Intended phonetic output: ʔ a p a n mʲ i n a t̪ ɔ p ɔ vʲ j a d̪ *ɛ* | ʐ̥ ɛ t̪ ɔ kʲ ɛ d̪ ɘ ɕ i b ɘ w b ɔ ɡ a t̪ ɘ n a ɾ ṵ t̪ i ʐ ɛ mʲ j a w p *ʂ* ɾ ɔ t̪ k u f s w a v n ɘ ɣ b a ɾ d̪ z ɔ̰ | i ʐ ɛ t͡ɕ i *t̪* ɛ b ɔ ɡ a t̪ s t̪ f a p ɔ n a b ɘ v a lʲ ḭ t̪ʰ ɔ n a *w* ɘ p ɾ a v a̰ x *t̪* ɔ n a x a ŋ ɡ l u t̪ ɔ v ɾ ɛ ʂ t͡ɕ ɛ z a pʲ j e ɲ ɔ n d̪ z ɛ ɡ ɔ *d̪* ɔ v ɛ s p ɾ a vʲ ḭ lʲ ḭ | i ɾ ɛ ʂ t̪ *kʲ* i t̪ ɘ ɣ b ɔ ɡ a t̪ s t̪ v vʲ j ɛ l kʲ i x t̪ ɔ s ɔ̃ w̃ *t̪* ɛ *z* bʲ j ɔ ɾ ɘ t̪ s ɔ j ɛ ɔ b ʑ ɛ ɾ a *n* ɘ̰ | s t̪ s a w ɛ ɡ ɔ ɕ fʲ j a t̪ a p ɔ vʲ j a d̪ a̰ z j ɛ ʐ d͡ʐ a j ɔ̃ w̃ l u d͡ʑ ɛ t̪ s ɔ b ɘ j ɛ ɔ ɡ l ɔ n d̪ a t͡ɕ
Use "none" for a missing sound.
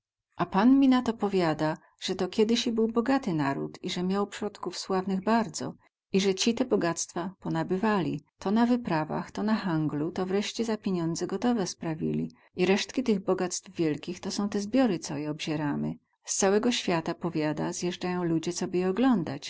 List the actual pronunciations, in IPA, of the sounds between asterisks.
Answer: a, ʂ, t̪, v, t̪, t̪, kʲ, t̪, z, m

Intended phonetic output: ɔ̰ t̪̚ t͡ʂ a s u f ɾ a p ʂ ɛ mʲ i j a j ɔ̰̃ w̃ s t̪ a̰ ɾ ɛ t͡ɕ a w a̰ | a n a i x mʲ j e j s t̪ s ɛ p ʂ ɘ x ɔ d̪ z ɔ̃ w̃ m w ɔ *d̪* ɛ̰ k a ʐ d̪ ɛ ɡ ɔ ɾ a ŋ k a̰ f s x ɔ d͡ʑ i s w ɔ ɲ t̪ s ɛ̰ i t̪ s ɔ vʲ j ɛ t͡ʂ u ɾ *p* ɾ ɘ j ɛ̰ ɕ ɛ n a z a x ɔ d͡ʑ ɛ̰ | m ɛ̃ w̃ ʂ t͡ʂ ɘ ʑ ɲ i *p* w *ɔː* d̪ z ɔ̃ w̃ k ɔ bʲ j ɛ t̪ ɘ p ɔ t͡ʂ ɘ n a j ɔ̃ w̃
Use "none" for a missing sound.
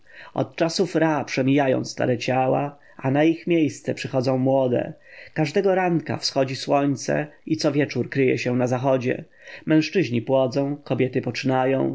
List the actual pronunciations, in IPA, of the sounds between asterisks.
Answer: d̪, k, p, ɔ

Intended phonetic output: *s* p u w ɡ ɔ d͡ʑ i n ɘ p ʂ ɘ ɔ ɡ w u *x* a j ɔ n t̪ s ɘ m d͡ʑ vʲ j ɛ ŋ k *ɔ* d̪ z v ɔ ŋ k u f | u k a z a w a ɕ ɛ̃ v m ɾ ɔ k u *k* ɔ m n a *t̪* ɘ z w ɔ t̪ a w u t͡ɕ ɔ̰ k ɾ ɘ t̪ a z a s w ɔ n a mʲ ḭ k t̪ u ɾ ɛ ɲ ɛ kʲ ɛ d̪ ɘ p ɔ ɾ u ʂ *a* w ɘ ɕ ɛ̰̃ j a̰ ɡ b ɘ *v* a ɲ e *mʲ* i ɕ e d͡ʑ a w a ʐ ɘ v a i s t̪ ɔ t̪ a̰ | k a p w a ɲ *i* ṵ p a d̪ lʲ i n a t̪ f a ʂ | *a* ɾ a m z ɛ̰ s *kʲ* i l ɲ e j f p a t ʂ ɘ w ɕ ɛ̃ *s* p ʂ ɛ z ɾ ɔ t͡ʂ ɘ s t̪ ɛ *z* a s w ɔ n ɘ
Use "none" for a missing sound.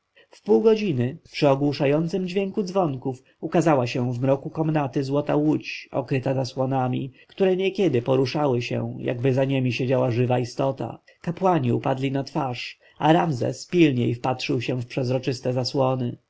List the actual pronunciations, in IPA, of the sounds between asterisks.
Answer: f, ʂ, u, k, t̪, a, z, mʲ, i, a, pʲ, f, z

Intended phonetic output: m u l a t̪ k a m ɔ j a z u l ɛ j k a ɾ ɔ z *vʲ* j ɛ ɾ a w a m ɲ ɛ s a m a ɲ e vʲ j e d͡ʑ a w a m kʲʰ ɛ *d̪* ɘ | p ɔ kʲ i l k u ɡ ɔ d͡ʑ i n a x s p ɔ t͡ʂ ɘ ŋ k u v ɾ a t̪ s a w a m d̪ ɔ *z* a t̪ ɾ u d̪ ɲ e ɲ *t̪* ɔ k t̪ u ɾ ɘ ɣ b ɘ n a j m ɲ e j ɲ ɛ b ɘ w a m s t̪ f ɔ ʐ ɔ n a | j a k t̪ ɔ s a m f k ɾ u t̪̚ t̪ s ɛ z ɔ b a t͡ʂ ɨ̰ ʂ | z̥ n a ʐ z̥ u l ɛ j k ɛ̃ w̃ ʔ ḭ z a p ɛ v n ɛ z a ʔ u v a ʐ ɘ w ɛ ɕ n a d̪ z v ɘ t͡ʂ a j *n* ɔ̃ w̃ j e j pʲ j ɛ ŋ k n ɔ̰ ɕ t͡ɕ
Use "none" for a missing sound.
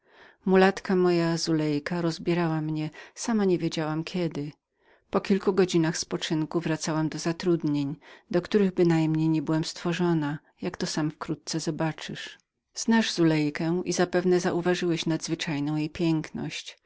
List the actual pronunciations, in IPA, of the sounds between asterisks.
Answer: bʲ, d̪, z, d̪, n

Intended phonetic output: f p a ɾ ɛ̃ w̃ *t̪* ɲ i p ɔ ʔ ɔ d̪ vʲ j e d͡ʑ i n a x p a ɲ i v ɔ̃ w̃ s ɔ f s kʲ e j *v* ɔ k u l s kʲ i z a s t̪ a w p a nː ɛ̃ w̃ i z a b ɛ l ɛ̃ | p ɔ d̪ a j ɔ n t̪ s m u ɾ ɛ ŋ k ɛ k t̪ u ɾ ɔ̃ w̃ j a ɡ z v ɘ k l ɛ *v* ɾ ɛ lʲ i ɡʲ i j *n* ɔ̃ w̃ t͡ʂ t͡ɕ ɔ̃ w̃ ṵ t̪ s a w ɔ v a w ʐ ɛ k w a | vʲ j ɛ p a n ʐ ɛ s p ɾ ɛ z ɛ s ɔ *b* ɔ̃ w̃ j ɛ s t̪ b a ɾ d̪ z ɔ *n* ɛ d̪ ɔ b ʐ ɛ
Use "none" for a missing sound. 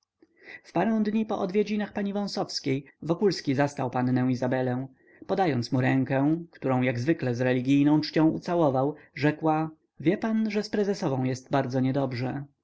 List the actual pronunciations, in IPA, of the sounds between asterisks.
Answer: d̪, v, z, n, v, ɲ

